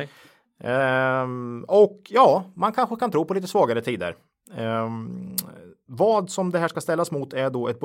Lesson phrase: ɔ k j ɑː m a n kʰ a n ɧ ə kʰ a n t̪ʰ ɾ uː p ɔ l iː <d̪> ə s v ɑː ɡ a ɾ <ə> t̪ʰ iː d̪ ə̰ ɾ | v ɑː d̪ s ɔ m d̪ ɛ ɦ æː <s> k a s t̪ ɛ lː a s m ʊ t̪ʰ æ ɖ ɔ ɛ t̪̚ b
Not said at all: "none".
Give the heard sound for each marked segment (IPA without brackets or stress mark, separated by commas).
t̪, ə, ʂ